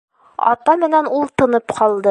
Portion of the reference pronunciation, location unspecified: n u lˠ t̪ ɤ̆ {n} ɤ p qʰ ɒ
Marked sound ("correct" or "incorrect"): correct